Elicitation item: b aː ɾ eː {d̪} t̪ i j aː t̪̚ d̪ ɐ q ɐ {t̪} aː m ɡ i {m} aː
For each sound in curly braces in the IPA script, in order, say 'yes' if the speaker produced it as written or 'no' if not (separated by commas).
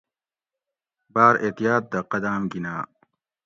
no, no, no